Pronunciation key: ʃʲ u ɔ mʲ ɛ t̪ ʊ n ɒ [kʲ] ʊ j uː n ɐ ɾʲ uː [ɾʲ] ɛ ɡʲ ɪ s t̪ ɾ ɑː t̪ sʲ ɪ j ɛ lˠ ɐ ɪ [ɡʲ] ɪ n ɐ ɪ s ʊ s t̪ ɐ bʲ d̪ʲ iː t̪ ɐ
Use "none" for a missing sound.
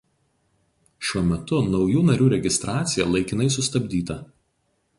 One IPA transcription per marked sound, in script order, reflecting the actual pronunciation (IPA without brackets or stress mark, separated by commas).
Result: none, ɾʲ, kʲ